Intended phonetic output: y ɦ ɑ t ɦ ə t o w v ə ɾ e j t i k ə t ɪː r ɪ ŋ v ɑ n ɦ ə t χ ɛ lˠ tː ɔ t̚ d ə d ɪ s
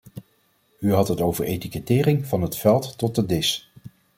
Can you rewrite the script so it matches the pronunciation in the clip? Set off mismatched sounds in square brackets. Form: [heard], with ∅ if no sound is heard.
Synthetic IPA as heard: y ɦ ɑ t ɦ ə t o w v ə [ɹ] e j t i k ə t ɪː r ɪ ŋ v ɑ n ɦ ə t [f] ɛ lˠ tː ɔ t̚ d ə d ɪ s